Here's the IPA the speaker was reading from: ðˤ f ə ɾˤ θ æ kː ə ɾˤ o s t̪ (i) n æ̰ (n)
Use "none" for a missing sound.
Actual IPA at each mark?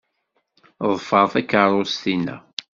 i, none

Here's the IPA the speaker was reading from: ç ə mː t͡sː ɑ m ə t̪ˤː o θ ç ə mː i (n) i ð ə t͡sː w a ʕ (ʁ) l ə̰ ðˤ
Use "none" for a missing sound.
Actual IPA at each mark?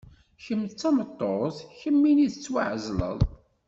n, z

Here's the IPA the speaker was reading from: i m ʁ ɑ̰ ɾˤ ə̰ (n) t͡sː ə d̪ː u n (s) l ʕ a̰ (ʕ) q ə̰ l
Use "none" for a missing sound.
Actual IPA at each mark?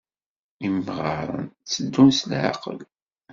n, s, none

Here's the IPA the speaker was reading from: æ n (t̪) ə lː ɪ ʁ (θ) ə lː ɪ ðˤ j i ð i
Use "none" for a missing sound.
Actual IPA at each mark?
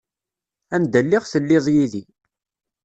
d̪, θ

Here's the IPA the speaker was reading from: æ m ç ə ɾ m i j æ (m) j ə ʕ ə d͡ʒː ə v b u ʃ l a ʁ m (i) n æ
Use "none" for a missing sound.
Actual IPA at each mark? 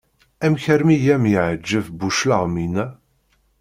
m, i

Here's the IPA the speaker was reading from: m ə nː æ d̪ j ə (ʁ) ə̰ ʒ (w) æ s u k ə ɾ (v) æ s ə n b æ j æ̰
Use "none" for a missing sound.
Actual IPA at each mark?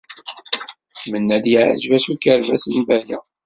ʕ, v, v

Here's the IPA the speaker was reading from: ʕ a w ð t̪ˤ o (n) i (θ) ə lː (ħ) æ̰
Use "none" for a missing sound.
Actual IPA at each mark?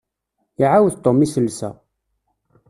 m, s, s

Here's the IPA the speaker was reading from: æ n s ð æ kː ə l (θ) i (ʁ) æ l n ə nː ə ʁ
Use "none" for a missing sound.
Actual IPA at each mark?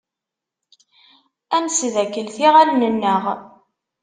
θ, ʁ

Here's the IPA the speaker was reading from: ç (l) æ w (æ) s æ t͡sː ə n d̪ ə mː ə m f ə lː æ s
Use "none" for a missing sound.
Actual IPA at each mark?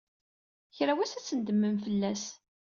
ɾ, æ

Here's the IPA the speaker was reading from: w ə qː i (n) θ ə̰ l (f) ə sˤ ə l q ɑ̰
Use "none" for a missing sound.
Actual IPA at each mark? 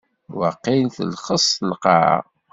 n, χ

